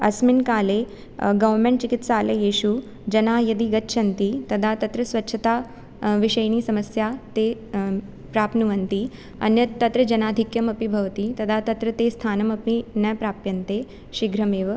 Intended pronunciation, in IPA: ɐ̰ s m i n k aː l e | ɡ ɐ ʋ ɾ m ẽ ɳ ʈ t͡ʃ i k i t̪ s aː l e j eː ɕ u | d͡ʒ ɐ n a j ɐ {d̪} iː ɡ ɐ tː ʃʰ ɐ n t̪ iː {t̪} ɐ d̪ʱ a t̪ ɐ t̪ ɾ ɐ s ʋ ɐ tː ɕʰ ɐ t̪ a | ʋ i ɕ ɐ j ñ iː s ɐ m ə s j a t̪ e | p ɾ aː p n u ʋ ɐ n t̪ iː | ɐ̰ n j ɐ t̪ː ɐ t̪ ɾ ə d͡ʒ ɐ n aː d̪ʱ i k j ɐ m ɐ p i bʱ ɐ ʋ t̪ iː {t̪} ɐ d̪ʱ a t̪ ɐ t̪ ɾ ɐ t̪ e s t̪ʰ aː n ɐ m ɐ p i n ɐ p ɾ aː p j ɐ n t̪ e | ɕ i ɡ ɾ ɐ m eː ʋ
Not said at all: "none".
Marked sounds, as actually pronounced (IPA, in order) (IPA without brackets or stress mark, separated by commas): d̪, t̪, t̪